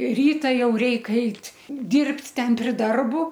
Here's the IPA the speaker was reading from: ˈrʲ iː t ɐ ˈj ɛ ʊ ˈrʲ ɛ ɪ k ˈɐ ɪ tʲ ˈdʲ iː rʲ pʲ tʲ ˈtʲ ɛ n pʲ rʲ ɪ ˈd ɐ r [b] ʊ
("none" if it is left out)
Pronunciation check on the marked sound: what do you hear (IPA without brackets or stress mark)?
b